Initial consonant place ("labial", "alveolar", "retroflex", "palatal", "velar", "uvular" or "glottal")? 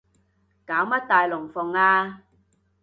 velar